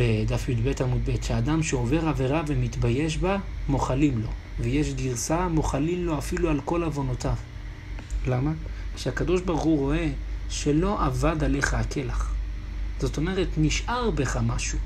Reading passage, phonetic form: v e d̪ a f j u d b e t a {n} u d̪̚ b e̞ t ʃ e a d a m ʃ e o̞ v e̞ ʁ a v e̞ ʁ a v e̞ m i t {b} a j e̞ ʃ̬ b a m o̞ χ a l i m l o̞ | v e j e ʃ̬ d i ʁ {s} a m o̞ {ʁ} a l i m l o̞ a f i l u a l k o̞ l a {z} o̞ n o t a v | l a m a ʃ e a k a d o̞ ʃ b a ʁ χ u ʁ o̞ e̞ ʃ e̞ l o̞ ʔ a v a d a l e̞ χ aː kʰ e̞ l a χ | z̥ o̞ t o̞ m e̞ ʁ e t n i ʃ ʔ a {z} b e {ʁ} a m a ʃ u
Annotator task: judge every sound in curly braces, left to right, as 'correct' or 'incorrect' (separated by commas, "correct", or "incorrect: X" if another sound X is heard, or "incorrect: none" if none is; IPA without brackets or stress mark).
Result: incorrect: m, correct, correct, incorrect: χ, incorrect: v, incorrect: ʁ, incorrect: χ